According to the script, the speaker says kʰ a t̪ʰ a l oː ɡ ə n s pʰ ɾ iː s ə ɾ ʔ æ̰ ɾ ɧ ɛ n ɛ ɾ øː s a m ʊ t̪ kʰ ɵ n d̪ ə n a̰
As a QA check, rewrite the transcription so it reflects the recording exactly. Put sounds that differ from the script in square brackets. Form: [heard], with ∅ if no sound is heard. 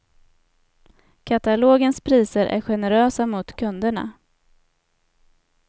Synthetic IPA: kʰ a [t̪] a l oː ɡ ə n s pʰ ɾ iː s ə ɾ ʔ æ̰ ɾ ɧ ɛ n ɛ ɾ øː s a m ʊ t̪ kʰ ɵ n d̪ ə [ɳ] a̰

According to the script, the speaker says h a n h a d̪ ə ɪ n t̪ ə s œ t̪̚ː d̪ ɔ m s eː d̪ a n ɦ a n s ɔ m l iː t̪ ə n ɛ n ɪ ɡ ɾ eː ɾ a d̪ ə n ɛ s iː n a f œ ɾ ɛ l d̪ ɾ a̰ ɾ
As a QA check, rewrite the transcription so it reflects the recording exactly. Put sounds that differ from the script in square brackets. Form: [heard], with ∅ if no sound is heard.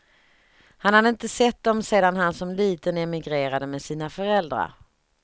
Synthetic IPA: h a n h a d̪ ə ɪ n t̪ ə s [ɛ] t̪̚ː d̪ ɔ m s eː d̪ a n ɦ a n s ɔ m l iː t̪ ə n ɛ [m] ɪ ɡ ɾ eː ɾ a d̪ ə [m] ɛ s iː n a f œ ɾ ɛ l d̪ ɾ a̰ ɾ

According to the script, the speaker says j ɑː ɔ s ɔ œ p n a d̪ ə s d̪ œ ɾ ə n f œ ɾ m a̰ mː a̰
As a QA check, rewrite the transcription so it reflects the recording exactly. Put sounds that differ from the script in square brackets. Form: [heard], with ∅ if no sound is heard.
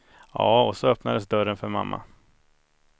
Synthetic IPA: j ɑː ɔ s ɔ œ p n a d̪ ə s d̪ œ ɾ ə n f œ ɾ m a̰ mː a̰

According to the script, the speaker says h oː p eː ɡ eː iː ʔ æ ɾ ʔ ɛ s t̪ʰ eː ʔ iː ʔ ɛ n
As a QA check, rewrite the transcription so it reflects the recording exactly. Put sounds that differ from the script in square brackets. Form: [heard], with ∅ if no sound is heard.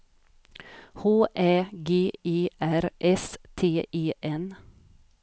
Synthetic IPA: h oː [ʔ] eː ɡ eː iː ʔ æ ɾ ʔ ɛ s t̪ʰ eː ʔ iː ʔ ɛ n

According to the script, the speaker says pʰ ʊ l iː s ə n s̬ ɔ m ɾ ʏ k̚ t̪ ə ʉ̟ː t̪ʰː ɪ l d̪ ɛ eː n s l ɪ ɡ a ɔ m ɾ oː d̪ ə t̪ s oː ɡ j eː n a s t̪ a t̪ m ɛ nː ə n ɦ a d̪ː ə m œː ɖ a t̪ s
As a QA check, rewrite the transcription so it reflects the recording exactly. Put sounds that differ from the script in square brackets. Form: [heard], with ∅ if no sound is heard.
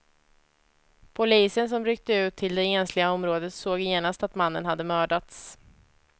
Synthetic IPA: pʰ ʊ l iː s ə n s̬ ɔ m ɾ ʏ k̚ t̪ ə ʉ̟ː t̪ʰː ɪ l d̪ ɛ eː n s l ɪ ɡ a ɔ m ɾ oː d̪ ə t̪ s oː ɡ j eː n a s t̪ a t̪ m [a] nː ə n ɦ a d̪ː ə m œː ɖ a t̪ s

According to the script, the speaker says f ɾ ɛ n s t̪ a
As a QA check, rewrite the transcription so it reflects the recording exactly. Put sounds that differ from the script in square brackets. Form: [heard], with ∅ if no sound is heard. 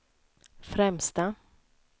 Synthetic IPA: f ɾ ɛ [m] s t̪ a

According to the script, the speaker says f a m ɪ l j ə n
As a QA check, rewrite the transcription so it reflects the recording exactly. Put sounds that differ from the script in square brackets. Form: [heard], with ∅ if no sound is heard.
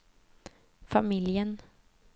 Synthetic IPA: f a m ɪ l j ə n

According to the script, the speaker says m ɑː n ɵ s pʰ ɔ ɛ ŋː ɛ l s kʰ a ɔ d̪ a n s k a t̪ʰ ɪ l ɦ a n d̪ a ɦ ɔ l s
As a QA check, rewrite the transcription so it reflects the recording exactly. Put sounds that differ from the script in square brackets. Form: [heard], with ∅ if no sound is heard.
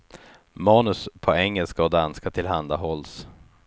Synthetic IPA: m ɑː n ɵ s pʰ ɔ ɛ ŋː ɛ l s [k] a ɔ d̪ a n s k a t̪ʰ ɪ l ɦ a n d̪ a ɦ ɔ l s

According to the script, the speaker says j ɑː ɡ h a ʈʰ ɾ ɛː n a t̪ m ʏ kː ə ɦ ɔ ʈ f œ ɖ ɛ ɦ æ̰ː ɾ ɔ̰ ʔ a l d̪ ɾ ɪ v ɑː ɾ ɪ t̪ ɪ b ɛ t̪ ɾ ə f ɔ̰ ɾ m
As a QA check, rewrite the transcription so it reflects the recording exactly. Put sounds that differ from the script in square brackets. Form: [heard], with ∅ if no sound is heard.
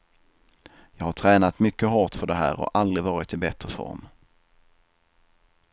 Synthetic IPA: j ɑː ɡ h a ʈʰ ɾ ɛː n a t̪ m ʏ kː ə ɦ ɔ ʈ f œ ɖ ɛ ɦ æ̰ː ɾ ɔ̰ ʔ a l d̪ ɾ ɪ v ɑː ɾ ɪ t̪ ɪ b ɛ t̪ ɾ ə f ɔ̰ ɾ m

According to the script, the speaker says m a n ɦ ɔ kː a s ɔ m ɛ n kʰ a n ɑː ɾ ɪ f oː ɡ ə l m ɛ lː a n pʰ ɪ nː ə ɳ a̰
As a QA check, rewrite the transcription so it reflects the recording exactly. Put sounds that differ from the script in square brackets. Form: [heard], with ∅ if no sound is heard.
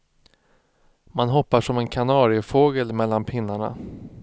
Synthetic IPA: m a n ɦ ɔ [pː] a [ʂ] ɔ m ɛ n kʰ a n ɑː ɾ ɪ f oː ɡ ə l m ɛ lː a n pʰ ɪ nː [a] ɳ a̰

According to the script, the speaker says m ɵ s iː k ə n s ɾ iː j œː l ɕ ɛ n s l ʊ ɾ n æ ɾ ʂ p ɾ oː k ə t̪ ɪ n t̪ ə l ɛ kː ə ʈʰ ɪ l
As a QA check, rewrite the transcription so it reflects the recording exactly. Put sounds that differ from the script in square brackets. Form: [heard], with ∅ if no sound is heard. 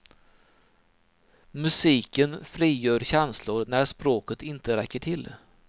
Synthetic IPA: m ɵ s iː k ə n [f] ɾ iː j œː [ɾ] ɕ ɛ n s l ʊ ɾ n æ ɾ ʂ p ɾ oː k ə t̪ ɪ n t̪ ə [ɾ] ɛ kː ə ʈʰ ɪ l

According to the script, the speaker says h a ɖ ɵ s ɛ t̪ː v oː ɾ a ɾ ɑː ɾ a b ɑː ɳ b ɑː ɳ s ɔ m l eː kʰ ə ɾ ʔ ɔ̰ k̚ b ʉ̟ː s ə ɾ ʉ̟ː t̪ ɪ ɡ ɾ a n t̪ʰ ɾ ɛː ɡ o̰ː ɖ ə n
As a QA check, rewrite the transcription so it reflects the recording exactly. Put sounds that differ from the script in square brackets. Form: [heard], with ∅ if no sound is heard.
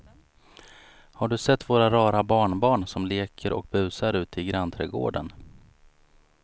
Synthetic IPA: h a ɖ ɵ s ɛ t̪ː v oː ɾ a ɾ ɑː ɾ a b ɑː ɳ b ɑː ɳ s ɔ m l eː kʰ ə ɾ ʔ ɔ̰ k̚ b ʉ̟ː s [a] ɾ ʉ̟ː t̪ ɪ ɡ ɾ a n t̪ʰ ɾ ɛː ɡ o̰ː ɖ ə n

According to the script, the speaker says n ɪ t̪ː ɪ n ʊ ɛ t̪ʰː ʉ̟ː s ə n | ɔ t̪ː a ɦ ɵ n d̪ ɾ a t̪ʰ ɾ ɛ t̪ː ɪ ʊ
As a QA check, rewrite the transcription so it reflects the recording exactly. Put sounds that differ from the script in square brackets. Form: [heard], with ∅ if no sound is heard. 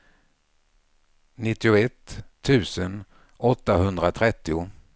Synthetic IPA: n ɪ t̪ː ɪ [∅] ʊ ɛ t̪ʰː ʉ̟ː s ə n | ɔ t̪ː a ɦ ɵ n d̪ ɾ a t̪ʰ ɾ ɛ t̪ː ɪ ʊ

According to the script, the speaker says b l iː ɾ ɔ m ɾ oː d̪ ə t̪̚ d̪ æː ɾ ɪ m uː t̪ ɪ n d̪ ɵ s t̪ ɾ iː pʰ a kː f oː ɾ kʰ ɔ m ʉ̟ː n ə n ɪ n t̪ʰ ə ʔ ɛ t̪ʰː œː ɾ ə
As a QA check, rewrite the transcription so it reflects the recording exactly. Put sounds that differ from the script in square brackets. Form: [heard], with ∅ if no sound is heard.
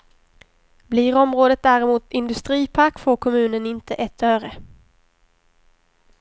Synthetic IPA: b l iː ɾ ɔ m ɾ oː d̪ ə t̪̚ d̪ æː ɾ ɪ m uː t̪ ɪ n d̪ ɵ s t̪ ɾ iː pʰ a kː f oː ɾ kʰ ɔ m ʉ̟ː n ə n ɪ n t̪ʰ ə ʔ ɛ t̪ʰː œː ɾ ə

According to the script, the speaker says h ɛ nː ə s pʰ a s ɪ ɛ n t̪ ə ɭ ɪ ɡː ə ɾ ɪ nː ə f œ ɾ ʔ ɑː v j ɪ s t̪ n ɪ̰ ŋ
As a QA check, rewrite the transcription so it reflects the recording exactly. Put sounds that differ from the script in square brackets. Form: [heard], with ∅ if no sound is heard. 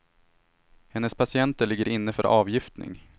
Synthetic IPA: h ɛ nː ə s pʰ a s ɪ ɛ n t̪ ə ɭ ɪ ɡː ə ɾ ɪ nː ə f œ ɾ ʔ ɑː v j ɪ [f] t̪ n ɪ̰ ŋ

